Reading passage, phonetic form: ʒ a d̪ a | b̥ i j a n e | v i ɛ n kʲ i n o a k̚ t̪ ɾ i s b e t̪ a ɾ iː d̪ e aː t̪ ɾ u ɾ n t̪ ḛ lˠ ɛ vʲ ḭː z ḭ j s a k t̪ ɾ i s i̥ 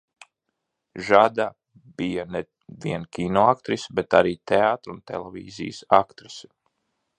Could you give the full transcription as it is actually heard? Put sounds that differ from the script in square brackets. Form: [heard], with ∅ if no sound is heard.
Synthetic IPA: ʒ a d̪ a | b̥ i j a n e | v i ɛ n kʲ i n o a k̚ t̪ ɾ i s b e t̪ a ɾ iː [t̪] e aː t̪ ɾ u [∅] n t̪ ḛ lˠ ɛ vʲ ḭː z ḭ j s a k t̪ ɾ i s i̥